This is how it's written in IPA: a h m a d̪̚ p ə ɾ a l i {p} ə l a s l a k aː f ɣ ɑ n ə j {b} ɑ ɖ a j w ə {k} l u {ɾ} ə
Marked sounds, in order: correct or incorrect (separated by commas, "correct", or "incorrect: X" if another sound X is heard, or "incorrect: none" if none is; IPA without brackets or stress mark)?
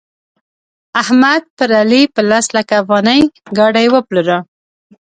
correct, incorrect: ɡ, incorrect: p, correct